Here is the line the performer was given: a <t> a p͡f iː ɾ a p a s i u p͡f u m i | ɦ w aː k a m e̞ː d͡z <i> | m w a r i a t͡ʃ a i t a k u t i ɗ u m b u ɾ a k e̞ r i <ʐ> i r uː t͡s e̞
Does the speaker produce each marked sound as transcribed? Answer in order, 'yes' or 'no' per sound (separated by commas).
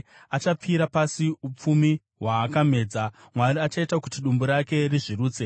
no, no, yes